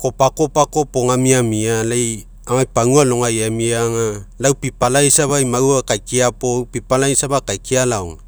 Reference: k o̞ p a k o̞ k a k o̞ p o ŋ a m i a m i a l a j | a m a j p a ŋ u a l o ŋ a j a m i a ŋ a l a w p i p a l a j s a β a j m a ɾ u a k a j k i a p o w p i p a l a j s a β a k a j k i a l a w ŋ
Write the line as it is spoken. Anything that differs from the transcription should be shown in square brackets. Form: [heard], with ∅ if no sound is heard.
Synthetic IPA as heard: k o̞ p a k o̞ [p] a k o̞ p o ŋ a m i a m i a l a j | a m a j p a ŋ u a l o ŋ a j a m i a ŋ a l a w p i p a l a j s a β a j m a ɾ u a k a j k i a p o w p i p a l a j s a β a k a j k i a l a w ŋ